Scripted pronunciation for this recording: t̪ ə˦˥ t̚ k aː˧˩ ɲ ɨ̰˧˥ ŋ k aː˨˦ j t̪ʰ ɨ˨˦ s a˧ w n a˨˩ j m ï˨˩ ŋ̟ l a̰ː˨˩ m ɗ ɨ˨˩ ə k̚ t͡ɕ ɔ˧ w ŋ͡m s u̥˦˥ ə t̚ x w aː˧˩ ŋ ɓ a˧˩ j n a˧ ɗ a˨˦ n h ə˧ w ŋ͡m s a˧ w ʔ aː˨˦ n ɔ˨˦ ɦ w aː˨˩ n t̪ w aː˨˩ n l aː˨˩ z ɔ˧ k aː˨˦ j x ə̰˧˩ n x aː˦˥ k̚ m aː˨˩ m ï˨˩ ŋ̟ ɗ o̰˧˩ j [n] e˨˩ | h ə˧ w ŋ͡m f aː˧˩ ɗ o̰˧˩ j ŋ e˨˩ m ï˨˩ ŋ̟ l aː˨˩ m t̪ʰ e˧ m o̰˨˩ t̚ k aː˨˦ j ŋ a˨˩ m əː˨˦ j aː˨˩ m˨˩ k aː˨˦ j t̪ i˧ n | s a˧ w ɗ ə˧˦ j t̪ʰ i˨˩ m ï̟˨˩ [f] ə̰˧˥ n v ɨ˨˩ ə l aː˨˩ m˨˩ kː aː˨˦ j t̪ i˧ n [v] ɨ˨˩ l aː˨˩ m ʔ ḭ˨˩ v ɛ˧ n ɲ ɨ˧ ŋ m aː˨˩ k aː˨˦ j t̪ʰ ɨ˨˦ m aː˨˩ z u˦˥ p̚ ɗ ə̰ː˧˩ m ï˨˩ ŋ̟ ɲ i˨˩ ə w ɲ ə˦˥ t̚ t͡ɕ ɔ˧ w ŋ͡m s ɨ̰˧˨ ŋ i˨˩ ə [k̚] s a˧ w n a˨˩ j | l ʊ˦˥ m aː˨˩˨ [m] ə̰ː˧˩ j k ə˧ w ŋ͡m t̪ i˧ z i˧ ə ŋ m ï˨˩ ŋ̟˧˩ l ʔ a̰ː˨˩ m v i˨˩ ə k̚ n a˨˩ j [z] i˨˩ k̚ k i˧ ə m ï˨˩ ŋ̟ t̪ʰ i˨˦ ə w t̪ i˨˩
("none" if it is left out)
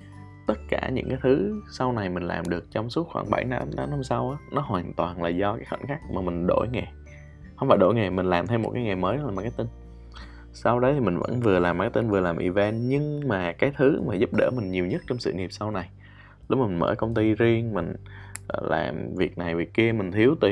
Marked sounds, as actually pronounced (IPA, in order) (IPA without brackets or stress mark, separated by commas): ŋ, v, v, p̚, m, v